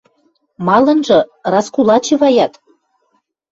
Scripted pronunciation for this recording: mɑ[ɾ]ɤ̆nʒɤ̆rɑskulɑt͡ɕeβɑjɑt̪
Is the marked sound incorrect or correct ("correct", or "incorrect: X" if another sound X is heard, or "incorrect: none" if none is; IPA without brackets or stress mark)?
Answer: incorrect: l